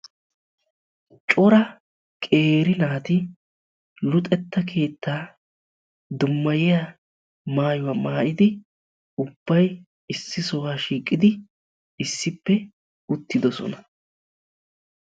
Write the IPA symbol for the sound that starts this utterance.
t͡ʃʼ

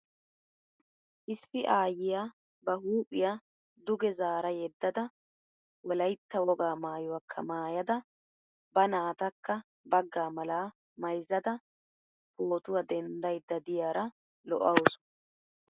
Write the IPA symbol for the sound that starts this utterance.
ʔ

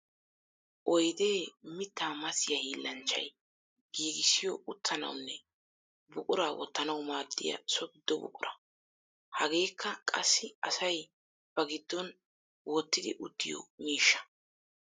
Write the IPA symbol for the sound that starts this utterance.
ʔ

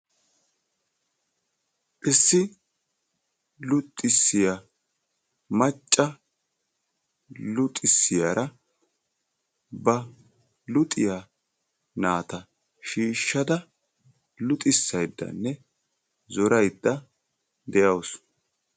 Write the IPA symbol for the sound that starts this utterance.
ʔ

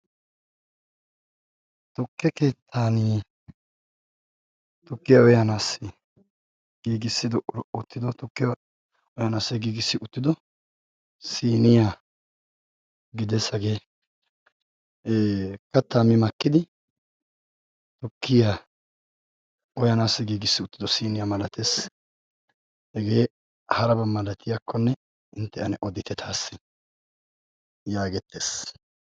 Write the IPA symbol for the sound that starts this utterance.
t̪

